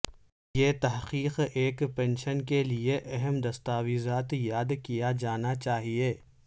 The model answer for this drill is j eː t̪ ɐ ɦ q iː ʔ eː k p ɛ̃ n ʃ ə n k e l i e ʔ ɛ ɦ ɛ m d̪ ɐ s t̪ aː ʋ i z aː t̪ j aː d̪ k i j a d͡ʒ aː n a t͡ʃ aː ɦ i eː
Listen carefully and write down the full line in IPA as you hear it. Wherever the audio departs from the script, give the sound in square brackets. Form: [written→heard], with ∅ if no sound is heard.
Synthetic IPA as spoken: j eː t̪ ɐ ɦ q iː [ʔ→q] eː k p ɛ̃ n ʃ ə n k e l i e ʔ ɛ ɦ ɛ m d̪ ɐ s t̪ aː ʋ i z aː t̪ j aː d̪ k i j a d͡ʒ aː n a t͡ʃ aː ɦ i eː

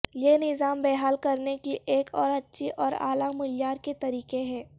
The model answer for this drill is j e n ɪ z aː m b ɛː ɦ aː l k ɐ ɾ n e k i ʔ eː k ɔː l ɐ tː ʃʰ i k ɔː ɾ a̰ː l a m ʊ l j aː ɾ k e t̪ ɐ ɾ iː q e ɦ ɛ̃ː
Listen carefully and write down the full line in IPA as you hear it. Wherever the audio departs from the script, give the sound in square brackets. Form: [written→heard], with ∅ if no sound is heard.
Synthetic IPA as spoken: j e n ɪ z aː m b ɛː ɦ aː l k ɐ ɾ n e k i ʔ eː k ɔː [l→ɾ] ɐ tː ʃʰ i [k→ʔ] ɔː ɾ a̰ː l a m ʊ l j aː ɾ k e t̪ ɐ ɾ iː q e ɦ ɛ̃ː

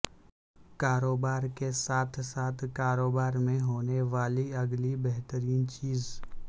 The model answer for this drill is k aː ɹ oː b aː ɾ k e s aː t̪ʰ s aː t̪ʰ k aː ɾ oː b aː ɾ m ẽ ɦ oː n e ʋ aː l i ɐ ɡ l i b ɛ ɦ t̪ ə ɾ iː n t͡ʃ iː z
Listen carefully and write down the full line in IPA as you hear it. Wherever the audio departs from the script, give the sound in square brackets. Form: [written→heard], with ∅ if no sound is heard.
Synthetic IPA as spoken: k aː [ɹ→ɾ] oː b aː ɾ k e s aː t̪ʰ s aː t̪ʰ k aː ɾ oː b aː ɾ m ẽ ɦ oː n e ʋ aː l i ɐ ɡ l i b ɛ ɦ t̪ ə ɾ iː n t͡ʃ iː z

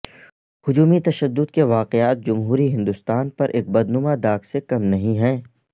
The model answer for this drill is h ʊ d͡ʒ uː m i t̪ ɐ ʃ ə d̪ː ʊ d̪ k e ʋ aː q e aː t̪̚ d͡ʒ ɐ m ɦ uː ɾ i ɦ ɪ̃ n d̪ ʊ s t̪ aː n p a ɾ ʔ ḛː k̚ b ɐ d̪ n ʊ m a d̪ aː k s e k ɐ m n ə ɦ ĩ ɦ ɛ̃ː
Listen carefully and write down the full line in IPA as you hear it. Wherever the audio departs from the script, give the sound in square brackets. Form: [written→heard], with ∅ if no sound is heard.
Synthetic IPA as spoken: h ʊ d͡ʒ uː m i t̪ ɐ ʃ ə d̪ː ʊ d̪ k e ʋ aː q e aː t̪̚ d͡ʒ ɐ m ɦ uː ɾ i ɦ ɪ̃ n d̪ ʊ s t̪ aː n p [a→ɐ] ɾ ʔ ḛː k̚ b ɐ d̪ n ʊ m a d̪ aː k s e k ɐ m n [ə→ɐ] ɦ ĩ ɦ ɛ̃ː

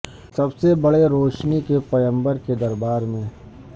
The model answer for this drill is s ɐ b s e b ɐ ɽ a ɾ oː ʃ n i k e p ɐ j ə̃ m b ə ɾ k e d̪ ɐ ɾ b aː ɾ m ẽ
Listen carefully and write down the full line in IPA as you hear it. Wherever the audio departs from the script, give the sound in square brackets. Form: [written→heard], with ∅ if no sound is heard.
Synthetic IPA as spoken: s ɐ b s e b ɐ ɽ [a→e] ɾ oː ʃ n i k e p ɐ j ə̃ m b ə ɾ k e d̪ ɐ ɾ b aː ɾ m ẽ

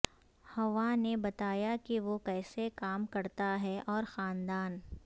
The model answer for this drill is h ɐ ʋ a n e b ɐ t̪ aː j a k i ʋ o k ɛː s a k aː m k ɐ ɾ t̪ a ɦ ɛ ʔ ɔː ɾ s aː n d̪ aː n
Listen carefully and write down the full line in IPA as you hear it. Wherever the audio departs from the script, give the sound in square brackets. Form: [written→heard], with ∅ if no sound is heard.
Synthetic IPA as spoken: h ɐ ʋ a n e b ɐ t̪ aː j a k i ʋ o k ɛː s [a→e] k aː m k ɐ ɾ t̪ a ɦ ɛ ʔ ɔː ɾ [s→x] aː n d̪ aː n

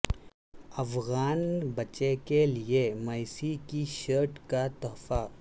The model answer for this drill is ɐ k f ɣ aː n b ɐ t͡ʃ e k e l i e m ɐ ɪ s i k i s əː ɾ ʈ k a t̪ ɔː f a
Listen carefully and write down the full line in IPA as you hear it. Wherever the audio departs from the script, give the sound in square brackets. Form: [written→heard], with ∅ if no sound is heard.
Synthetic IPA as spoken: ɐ [k→∅] f ɣ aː n b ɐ t͡ʃ e k e l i e m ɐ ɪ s i k i [s→ʃ] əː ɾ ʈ k a t̪ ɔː f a

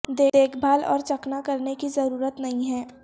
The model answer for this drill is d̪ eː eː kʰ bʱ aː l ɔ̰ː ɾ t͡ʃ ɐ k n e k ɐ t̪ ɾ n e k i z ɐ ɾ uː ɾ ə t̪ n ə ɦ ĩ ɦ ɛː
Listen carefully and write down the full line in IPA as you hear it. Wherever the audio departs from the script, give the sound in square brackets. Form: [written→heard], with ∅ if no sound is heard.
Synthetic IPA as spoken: d̪ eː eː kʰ bʱ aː l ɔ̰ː ɾ t͡ʃ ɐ k n [e→a] k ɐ [t̪→∅] ɾ n e k i z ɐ ɾ uː ɾ ə t̪ n [ə→ɐ] ɦ ĩ ɦ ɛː

